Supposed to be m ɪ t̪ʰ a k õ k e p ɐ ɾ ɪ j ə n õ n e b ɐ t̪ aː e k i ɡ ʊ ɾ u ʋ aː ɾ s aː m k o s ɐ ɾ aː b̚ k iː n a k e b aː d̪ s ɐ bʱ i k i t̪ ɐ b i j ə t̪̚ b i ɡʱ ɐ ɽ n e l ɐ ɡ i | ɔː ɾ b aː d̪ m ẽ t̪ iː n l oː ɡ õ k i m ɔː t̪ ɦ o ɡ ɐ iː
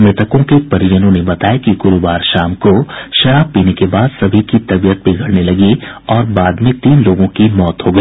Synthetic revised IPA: m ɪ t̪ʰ ə k õ k e p ɐ ɾ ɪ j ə n õ n e b ɐ t̪ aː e k i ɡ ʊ ɾ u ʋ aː ɾ ʃ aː m k o ʃ ɐ ɾ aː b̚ p iː n e k e b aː d̪ s ɐ bʱ i k i t̪ ɐ b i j ə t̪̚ b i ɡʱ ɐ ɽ n e l ɐ ɡ i | ɔː ɾ b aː d̪ m ẽ t̪ iː n l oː ɡ õ k i m ɔː t̪ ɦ o ɡ ɐ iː